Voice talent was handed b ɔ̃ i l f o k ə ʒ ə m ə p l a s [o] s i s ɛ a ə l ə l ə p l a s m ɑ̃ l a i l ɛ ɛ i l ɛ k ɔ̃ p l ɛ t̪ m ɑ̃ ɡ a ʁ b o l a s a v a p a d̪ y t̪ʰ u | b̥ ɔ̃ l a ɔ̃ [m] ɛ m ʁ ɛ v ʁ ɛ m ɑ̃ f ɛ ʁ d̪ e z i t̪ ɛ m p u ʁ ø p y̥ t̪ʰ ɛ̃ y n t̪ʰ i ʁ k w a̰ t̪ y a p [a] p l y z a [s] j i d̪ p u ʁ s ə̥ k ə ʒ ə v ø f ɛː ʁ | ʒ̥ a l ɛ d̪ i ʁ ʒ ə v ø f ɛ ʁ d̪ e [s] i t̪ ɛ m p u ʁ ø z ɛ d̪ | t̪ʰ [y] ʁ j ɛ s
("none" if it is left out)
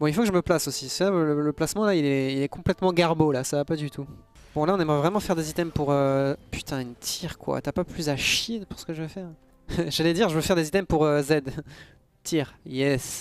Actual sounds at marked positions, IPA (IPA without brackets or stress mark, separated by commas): o, n, a, ʃ, z, i